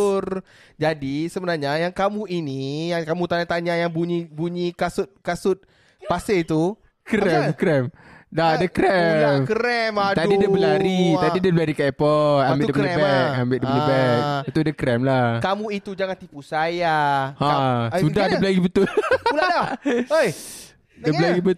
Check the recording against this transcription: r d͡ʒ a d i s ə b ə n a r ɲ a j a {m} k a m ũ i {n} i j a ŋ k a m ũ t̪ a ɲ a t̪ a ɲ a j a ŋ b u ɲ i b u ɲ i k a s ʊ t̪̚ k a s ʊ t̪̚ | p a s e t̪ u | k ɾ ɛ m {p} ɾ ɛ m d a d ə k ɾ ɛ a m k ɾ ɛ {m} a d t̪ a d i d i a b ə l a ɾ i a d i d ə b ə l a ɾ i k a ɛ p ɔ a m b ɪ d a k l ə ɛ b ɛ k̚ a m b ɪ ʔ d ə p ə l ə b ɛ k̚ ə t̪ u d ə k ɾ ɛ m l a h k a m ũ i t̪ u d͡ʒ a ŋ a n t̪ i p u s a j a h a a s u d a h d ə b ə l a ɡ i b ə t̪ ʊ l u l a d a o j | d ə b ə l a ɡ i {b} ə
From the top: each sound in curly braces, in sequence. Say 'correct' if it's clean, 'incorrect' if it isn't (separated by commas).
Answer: incorrect, correct, incorrect, correct, correct